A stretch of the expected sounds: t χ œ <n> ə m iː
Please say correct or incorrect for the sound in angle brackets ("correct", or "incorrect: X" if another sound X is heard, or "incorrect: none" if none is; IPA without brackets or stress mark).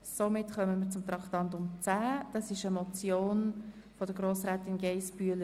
incorrect: m